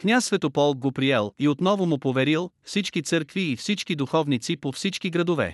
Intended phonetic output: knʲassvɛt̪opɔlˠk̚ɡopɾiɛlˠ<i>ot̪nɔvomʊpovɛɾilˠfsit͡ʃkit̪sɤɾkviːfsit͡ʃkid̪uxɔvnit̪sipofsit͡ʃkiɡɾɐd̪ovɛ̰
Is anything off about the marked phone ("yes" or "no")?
no